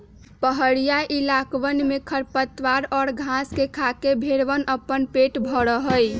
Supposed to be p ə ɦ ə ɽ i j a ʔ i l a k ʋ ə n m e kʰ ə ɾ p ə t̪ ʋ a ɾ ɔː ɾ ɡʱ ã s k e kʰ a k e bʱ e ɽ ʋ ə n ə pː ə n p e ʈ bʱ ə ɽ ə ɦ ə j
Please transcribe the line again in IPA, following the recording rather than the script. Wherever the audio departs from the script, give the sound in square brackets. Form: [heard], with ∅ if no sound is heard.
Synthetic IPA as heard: p ə ɦ ə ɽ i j a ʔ i l a k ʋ ə n m e kʰ ə ɾ p ə t̪ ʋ a ɾ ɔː ɾ ɡʱ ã s k e kʰ a k e bʱ e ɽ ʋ ə n ə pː ə n p e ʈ bʱ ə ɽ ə ɦ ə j